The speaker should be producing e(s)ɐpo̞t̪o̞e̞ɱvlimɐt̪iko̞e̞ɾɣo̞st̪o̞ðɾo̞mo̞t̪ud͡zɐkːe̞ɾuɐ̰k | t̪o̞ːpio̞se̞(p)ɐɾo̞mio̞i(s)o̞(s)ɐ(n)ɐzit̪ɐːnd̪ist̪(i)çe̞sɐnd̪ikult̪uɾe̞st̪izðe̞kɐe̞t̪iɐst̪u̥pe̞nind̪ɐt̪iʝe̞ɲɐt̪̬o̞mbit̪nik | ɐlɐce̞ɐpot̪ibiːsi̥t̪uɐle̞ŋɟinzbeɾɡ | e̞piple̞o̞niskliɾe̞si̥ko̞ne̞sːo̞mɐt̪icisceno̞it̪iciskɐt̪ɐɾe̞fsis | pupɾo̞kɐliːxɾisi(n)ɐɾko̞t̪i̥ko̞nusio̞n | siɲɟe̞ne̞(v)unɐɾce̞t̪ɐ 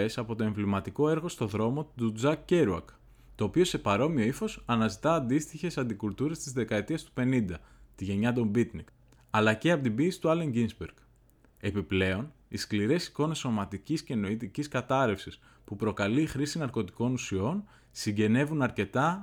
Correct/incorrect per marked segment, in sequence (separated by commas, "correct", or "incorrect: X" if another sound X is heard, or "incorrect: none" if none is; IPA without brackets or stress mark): correct, correct, incorrect: f, correct, correct, correct, correct, correct